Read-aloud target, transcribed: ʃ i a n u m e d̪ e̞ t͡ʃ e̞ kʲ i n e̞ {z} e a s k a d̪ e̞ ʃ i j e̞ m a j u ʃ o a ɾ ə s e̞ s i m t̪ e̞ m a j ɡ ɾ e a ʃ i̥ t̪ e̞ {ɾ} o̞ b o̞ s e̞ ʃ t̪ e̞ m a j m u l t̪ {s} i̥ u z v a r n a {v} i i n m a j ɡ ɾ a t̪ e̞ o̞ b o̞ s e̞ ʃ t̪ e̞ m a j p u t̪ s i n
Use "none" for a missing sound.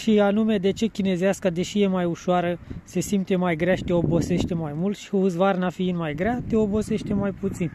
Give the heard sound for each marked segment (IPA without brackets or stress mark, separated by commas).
z, none, ʃ, f